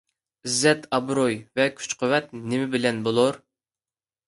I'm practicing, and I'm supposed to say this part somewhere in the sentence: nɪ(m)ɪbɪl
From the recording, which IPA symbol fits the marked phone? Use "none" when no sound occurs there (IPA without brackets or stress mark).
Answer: m